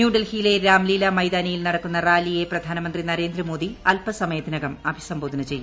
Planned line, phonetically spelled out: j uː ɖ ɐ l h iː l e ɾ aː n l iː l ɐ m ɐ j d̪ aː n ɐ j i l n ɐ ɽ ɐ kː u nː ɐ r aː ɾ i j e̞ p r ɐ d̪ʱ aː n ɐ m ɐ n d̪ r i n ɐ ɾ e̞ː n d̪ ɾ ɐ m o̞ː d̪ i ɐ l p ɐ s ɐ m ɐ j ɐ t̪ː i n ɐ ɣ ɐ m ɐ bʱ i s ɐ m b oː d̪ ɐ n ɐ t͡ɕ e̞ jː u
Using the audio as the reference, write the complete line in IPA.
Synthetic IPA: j uː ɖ ɐ l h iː l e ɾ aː m l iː l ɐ m ɐ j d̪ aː n ɐ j i l n ɐ ɽ ɐ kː u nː ɐ r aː l i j e̞ p r ɐ d̪ʱ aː n ɐ m ɐ n d̪ r i n ɐ ɾ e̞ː n d̪ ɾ ɐ m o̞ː d̪ i ɐ l p ɐ s ɐ m ɐ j ɐ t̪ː i n ɐ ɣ ɐ m ɐ bʱ i s ɐ m b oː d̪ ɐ n ɐ t͡ɕ e̞ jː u